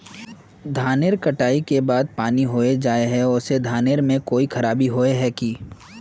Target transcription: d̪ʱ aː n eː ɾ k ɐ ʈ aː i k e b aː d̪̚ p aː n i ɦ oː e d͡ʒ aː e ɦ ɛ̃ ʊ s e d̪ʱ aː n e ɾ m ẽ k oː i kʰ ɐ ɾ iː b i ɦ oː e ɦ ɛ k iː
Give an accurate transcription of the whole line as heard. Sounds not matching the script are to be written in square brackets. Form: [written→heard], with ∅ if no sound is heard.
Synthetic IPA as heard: d̪ʱ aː n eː ɾ k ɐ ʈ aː i k e b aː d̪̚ p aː n i ɦ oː e d͡ʒ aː e ɦ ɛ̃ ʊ s e d̪ʱ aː n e ɾ m ẽ k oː i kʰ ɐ ɾ [iː→aː] b i ɦ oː e ɦ ɛ k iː